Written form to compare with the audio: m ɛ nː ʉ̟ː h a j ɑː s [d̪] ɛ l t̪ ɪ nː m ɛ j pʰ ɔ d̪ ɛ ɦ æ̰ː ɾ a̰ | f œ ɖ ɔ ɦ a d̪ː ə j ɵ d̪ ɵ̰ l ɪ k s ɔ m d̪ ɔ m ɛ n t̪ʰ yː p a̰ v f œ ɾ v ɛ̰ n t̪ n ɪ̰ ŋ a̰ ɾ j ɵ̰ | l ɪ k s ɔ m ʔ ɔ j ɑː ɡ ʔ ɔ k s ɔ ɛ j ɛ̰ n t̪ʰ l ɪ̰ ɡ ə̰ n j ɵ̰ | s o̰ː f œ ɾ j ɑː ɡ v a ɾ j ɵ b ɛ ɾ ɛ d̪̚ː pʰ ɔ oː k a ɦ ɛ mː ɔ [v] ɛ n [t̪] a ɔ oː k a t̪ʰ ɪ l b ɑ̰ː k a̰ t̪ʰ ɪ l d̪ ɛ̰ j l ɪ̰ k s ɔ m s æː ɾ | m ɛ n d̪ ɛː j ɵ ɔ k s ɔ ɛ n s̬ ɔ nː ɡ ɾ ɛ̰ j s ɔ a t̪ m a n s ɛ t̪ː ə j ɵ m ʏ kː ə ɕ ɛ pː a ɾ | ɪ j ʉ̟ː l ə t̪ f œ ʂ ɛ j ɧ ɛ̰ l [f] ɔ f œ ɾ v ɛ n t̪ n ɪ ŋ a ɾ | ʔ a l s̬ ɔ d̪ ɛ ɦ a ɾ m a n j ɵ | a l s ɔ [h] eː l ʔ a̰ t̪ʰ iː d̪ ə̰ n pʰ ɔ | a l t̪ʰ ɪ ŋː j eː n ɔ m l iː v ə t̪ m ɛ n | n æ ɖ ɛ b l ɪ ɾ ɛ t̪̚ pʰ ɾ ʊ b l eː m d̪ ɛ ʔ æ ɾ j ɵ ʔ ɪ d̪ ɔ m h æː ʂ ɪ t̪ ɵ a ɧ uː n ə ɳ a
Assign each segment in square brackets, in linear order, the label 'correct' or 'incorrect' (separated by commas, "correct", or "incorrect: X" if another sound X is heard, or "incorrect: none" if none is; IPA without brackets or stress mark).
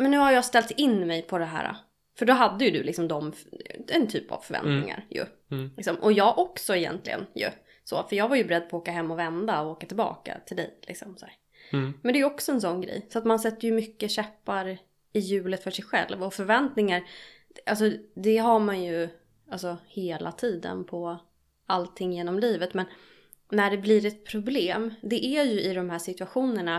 incorrect: t̪, correct, incorrect: d̪, incorrect: v, correct